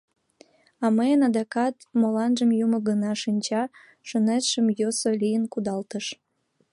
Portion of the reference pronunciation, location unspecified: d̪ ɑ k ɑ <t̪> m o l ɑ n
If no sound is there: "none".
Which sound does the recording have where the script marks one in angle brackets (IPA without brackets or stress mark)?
t̪